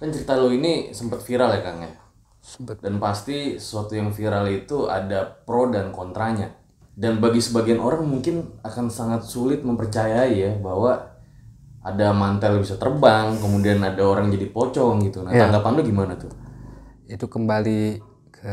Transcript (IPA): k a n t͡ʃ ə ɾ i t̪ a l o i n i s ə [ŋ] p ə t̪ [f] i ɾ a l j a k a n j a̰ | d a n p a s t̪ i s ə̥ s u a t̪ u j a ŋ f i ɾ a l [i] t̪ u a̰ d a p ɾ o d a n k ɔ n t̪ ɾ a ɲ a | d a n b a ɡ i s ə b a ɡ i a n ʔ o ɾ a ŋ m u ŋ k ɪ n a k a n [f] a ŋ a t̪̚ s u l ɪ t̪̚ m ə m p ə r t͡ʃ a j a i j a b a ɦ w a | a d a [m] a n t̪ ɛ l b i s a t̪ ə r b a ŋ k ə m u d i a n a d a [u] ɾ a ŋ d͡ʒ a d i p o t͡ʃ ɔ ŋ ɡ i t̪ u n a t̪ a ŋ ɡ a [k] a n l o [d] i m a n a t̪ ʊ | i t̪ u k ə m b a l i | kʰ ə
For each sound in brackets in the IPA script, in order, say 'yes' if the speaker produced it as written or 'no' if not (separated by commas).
no, yes, yes, no, yes, no, no, no